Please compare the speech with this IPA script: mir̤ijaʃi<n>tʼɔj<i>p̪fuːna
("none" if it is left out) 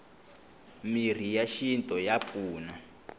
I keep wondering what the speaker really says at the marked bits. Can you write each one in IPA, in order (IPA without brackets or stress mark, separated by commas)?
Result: n, a